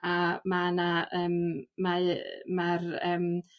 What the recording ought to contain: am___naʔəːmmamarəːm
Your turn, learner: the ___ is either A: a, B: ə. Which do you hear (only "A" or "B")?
A